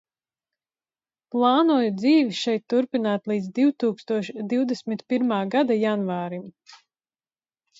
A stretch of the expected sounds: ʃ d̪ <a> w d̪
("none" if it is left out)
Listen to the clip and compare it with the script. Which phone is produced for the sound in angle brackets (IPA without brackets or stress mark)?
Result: i